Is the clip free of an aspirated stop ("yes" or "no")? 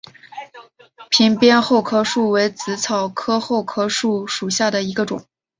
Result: no